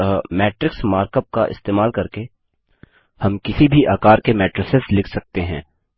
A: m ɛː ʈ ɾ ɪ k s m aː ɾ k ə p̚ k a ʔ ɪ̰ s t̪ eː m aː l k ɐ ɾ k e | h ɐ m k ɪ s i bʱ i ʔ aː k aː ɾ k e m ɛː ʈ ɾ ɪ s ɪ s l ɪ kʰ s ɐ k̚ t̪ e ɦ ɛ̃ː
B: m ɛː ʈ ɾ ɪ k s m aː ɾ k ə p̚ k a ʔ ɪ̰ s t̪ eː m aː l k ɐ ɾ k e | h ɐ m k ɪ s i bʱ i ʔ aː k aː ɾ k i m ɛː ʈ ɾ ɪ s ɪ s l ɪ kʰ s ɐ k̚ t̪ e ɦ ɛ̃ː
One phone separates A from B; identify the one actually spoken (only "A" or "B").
A